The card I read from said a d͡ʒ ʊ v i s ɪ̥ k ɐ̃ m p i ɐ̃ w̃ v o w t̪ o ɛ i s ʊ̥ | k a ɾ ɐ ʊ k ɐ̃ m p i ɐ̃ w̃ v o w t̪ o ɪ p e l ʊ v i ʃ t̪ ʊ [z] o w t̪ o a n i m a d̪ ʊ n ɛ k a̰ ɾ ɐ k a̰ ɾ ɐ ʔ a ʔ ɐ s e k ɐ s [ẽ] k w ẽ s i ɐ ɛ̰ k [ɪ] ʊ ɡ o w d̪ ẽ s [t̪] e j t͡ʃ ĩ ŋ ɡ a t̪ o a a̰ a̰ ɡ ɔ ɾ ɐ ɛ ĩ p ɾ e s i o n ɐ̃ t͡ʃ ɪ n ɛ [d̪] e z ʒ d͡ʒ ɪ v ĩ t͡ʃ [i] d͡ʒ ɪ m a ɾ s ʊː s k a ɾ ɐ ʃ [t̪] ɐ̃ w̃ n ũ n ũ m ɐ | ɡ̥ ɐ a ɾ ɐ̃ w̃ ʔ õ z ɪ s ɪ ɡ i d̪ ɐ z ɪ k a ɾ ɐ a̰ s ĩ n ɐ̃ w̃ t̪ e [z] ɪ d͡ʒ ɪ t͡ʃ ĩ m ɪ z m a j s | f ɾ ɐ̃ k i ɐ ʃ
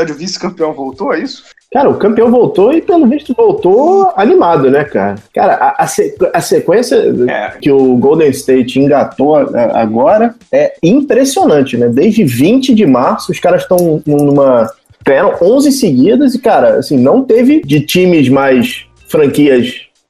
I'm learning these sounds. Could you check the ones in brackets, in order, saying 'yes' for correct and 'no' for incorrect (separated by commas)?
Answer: no, no, yes, yes, yes, no, yes, no